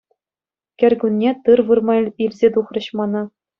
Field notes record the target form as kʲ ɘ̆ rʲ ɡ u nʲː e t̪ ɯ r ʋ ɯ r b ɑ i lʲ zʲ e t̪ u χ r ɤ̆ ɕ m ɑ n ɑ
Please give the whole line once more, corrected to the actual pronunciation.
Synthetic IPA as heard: kʲ ɘ̆ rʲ ɡ u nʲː e t̪ ɯ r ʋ ɯ r m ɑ i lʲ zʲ e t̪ u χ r ɤ̆ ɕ m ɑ n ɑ